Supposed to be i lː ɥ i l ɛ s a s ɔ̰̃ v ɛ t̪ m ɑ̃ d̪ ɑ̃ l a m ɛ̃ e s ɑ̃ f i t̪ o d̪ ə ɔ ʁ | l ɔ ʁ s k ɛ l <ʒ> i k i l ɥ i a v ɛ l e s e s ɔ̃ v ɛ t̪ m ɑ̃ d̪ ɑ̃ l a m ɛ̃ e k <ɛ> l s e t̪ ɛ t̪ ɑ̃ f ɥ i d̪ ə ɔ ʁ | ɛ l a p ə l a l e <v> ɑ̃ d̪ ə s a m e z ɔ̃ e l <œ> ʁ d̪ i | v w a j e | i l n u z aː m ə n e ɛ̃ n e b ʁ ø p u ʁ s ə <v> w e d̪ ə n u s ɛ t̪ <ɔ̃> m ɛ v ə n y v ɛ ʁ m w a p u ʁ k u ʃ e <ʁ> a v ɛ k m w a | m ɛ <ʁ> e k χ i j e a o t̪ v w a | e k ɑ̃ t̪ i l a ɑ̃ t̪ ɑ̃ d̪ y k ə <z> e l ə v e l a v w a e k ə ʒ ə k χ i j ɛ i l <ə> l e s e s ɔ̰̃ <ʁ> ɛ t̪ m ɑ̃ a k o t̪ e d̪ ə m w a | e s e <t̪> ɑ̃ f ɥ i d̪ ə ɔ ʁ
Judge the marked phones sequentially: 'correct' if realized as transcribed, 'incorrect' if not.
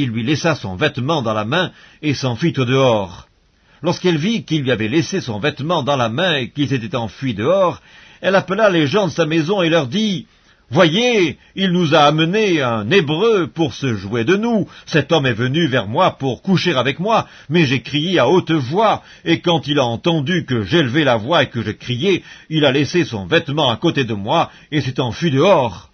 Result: incorrect, incorrect, incorrect, correct, incorrect, incorrect, correct, incorrect, incorrect, incorrect, incorrect, correct

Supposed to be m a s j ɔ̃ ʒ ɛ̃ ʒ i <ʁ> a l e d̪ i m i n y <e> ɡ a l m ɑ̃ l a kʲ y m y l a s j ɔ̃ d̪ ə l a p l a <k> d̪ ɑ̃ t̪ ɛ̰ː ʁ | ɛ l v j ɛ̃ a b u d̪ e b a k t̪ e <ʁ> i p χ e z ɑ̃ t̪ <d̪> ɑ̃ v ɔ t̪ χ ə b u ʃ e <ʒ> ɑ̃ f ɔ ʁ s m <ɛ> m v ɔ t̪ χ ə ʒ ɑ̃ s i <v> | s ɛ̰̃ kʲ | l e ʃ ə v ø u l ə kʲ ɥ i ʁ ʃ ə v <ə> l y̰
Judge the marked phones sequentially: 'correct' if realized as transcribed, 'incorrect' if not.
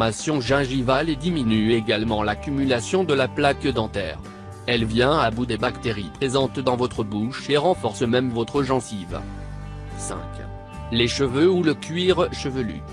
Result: incorrect, correct, correct, correct, correct, incorrect, correct, correct, correct

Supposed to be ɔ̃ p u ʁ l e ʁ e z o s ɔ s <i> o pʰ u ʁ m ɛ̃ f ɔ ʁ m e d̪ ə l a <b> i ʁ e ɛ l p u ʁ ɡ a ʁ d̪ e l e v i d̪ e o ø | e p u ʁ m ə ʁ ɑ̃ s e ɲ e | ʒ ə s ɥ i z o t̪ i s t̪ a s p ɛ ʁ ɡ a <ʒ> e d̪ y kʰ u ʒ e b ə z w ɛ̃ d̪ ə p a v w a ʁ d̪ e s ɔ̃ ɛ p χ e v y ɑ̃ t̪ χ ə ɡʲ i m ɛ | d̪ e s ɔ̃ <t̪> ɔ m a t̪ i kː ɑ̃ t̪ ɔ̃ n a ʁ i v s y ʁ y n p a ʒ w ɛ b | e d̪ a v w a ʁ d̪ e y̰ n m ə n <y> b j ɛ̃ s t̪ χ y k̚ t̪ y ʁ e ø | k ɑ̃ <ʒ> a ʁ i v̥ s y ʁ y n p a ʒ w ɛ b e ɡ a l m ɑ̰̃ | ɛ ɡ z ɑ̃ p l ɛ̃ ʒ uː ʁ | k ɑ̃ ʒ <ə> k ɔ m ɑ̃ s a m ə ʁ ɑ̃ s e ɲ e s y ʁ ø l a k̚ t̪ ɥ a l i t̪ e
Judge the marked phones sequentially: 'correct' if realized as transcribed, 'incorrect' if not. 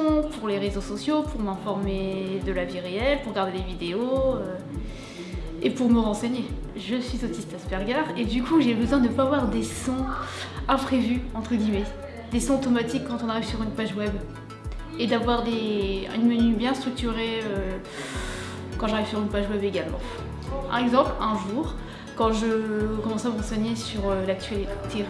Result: incorrect, incorrect, incorrect, correct, correct, correct, correct

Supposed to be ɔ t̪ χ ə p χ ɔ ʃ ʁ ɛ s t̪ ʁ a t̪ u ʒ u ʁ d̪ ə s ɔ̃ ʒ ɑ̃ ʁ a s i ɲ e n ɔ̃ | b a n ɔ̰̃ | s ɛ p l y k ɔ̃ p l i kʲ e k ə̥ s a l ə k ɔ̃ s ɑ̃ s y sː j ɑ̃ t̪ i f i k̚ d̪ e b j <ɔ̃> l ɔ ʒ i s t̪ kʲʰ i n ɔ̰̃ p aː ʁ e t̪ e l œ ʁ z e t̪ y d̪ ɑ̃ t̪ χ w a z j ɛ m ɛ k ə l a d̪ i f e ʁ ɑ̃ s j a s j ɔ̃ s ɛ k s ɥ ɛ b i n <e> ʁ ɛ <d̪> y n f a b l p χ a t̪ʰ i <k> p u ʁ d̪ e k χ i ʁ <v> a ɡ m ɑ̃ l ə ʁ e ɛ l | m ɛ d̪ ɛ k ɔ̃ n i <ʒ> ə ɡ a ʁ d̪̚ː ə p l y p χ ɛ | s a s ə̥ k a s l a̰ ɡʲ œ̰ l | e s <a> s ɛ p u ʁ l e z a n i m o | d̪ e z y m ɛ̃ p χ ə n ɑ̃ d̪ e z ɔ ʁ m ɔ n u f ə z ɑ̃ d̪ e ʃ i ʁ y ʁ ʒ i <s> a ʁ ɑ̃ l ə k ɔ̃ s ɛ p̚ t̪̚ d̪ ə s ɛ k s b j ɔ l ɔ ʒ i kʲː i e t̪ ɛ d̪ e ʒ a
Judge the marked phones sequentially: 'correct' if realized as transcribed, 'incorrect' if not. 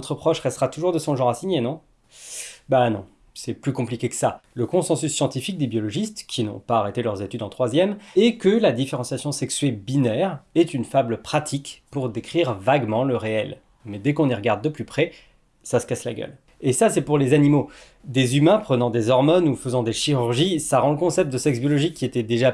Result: incorrect, incorrect, incorrect, correct, correct, incorrect, correct, correct

